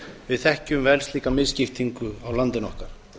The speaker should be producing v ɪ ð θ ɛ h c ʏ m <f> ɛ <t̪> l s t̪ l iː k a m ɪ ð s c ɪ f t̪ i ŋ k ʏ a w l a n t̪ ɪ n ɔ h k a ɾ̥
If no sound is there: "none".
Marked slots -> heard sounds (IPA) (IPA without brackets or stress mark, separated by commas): v, none